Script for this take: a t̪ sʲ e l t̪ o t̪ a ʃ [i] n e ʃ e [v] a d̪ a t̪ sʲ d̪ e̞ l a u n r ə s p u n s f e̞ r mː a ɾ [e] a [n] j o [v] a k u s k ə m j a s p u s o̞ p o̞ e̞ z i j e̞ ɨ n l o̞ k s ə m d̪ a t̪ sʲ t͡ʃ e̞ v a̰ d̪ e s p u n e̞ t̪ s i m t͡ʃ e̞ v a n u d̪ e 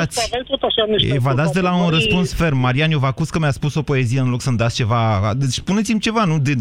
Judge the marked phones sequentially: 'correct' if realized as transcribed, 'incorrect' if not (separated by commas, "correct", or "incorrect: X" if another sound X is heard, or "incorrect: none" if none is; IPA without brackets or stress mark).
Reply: incorrect: a, correct, incorrect: i, correct, correct